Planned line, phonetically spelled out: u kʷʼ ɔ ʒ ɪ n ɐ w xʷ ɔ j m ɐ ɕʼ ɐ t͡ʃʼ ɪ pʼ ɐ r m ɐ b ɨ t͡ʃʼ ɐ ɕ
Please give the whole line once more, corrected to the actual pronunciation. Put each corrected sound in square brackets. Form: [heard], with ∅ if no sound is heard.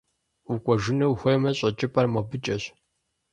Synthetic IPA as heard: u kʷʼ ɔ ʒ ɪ n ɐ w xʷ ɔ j m ɐ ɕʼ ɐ t͡ʃʼ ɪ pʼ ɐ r m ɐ b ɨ t͡ʃʼ ɐ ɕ